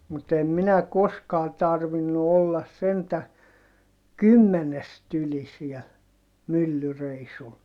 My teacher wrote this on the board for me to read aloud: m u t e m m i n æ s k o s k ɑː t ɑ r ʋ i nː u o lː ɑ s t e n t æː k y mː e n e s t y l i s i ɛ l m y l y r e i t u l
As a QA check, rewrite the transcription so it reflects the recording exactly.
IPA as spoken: m u t e m m i n æ k o s k ɑː t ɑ r ʋ i nː u o lː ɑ s s e n t æ k y mː e n e s t y l i s i ɛ l m y lː y r e i s u l